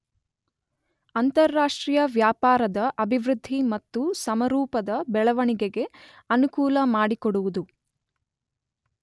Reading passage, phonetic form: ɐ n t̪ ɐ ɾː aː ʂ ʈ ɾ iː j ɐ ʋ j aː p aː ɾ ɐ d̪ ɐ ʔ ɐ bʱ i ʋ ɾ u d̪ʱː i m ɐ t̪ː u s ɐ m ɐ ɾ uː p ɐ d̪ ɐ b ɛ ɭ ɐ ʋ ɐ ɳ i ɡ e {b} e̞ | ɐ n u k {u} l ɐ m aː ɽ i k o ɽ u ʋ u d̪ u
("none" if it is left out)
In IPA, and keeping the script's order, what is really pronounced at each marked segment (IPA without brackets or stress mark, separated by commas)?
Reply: ɡ, uː